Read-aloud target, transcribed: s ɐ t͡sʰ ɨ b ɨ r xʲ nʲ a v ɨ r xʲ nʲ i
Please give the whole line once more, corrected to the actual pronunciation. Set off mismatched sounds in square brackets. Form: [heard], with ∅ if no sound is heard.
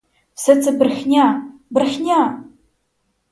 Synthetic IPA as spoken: s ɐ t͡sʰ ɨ b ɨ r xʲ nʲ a [b] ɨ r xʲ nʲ [a]

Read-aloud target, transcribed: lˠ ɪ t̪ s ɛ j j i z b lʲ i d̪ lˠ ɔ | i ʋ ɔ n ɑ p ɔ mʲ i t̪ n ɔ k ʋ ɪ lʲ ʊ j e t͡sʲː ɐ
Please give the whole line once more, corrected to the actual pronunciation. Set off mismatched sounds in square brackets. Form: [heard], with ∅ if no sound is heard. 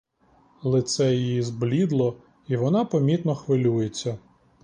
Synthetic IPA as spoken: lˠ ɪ t̪ s ɛ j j i z b lʲ i d̪ lˠ ɔ | i ʋ ɔ n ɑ p ɔ mʲ i t̪ n ɔ [x] ʋ ɪ lʲ [u] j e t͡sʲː ɐ

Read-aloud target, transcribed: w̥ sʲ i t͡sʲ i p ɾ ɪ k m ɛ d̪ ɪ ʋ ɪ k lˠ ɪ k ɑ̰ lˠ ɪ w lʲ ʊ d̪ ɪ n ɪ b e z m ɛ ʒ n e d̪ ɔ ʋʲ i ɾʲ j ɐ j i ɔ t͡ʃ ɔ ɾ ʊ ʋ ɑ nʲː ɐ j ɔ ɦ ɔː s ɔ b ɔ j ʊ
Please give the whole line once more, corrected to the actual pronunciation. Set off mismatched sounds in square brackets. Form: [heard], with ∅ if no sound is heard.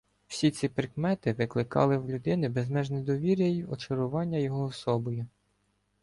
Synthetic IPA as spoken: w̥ sʲ i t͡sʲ i p ɾ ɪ k m ɛ [t̪] ɪ ʋ ɪ k lˠ ɪ k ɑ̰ lˠ ɪ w lʲ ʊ d̪ ɪ n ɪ b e z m ɛ ʒ n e d̪ ɔ ʋʲ i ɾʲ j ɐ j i ɔ t͡ʃ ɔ ɾ ʊ ʋ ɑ nʲː ɐ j ɔ ɦ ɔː s ɔ b ɔ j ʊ

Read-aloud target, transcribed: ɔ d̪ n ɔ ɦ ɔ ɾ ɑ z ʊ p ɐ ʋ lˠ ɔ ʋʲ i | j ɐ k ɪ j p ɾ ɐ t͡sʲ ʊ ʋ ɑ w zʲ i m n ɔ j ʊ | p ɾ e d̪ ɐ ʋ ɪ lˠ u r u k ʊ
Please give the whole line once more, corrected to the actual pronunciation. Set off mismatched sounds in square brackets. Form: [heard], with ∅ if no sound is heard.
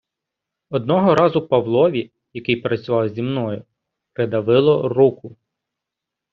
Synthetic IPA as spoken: ɔ d̪ n ɔ ɦ ɔ ɾ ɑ z ʊ p ɐ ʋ lˠ ɔ ʋʲ i | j ɐ k ɪ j p ɾ ɐ t͡sʲ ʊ ʋ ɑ w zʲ i m n ɔ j ʊ | p ɾ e d̪ ɐ ʋ ɪ lˠ [ɔ] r u k ʊ

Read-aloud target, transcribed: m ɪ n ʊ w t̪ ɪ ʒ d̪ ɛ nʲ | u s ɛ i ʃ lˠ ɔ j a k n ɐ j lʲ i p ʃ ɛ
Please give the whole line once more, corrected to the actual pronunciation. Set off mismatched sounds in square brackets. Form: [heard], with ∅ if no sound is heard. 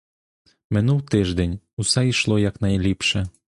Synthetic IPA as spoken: m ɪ n [u] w t̪ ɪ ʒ d̪ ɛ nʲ | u s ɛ i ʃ lˠ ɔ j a k n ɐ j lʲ i p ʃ ɛ

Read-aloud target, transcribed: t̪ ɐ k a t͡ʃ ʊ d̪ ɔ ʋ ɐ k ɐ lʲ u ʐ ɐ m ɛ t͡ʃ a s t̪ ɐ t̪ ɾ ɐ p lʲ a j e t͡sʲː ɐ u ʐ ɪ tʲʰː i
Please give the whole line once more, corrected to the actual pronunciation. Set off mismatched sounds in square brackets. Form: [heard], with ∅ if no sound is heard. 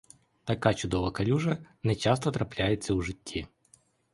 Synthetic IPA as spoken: t̪ ɐ k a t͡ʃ ʊ d̪ ɔ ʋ ɐ k ɐ lʲ u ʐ ɐ [n] ɛ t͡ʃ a s t̪ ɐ t̪ ɾ ɐ p lʲ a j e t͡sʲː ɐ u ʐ ɪ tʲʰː i

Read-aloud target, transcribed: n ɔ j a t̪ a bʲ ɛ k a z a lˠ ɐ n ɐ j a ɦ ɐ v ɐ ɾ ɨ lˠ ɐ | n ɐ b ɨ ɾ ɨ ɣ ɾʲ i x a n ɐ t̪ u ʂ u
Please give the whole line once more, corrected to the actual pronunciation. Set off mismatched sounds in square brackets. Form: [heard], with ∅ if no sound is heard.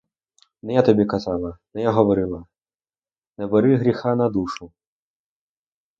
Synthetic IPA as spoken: n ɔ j a t̪ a bʲ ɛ k a z a lˠ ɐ n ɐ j a ɦ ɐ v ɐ ɾ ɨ lˠ ɐ | n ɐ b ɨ ɾ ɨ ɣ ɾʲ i x a n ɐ [d̪] u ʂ u

